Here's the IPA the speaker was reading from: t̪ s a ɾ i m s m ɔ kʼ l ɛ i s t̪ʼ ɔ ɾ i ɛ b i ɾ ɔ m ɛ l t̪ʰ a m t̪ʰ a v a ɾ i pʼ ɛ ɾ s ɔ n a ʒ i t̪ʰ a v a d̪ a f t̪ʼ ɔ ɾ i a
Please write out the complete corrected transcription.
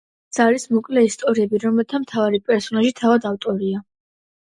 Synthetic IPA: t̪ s a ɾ i s m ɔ kʼ l ɛ i s t̪ʼ ɔ ɾ i ɛ b i ɾ ɔ m ɛ l t̪ʰ a m t̪ʰ a v a ɾ i pʼ ɛ ɾ s ɔ n a ʒ i t̪ʰ a v a d̪ a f t̪ʼ ɔ ɾ i a